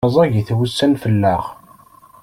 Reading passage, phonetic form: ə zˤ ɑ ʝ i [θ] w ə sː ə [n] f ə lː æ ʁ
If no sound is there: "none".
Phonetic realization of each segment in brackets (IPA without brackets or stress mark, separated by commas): θ, n